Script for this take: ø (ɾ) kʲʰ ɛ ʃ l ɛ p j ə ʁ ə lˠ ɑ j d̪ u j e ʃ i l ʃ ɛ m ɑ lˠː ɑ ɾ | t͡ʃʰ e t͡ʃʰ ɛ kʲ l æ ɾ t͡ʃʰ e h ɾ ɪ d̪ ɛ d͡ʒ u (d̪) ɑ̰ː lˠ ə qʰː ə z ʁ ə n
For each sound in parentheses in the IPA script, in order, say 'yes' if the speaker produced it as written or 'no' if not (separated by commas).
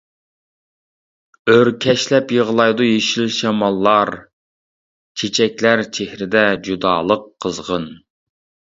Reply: yes, yes